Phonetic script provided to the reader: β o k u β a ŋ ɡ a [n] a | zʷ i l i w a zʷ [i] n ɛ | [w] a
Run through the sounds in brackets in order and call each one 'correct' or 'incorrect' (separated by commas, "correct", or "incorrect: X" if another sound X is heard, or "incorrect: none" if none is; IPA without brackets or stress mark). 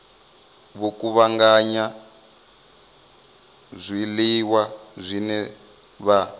incorrect: ɲ, correct, incorrect: β